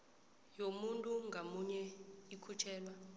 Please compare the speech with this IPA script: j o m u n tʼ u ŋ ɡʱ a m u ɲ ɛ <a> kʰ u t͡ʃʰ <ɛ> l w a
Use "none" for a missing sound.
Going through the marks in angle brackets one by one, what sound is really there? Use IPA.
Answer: i, ɛː

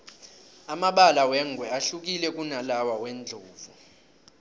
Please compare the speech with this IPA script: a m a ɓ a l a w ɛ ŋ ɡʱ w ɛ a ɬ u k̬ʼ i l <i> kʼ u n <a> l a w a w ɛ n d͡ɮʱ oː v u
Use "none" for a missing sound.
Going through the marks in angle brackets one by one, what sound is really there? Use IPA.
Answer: ɛ, a

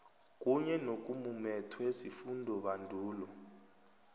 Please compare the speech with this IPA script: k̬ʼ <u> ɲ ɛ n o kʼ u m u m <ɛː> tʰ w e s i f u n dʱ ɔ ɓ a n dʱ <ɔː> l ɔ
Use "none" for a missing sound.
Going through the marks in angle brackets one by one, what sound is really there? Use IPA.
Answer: u, ɛ, uː

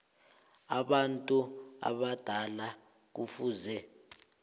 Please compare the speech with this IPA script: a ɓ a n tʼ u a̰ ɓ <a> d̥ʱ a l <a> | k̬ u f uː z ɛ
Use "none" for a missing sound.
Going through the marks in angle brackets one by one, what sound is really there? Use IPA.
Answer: a, a

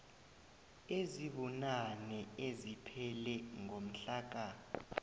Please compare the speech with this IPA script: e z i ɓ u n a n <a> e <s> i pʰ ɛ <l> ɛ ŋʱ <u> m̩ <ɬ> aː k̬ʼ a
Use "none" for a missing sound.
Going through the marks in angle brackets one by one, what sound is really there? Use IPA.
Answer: ɛ, z, l, o, ɬ

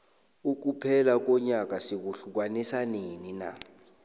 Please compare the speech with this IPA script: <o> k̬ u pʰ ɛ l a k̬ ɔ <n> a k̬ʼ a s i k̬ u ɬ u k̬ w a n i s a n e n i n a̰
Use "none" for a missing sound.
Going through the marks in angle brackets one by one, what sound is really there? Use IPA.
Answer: u, ɲ

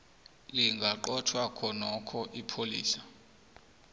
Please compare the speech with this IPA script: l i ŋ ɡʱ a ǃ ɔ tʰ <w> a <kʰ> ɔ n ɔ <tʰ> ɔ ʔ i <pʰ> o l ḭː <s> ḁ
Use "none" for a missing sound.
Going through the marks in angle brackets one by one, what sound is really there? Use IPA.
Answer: w, kʰ, kʰ, pʰ, s

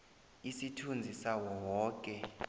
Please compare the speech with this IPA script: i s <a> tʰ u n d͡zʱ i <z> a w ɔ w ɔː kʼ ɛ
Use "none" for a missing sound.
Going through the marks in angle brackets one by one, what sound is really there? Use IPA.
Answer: i, s

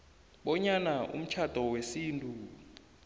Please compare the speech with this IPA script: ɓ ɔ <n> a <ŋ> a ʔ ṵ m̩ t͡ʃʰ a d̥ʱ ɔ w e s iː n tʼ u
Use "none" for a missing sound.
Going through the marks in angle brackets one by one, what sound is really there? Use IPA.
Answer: ɲ, n

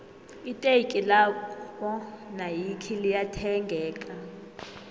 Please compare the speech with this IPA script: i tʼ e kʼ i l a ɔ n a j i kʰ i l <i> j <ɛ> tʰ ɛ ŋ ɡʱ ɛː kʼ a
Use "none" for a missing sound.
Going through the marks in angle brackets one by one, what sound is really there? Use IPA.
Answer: i, a

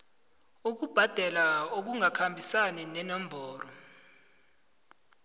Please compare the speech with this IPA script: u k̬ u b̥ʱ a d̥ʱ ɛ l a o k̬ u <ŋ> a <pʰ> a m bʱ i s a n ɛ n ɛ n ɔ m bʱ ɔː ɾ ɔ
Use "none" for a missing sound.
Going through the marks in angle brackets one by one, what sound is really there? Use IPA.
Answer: ŋ, kʰ

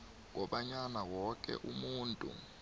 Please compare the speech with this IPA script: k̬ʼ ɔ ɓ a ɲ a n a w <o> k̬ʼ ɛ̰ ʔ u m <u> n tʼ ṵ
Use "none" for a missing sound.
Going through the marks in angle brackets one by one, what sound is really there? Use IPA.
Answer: ɔ, uː

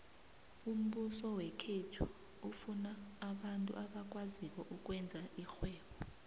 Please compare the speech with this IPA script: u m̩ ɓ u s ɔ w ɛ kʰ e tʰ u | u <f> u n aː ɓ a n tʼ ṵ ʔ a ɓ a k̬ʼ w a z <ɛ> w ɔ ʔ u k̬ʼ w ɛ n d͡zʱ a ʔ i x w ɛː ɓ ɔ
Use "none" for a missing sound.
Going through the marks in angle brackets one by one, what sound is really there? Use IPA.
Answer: f, i

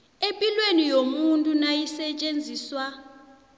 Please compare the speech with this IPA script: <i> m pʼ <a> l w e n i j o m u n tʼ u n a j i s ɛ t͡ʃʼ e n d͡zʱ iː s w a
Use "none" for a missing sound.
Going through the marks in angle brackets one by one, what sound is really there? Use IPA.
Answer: e, i

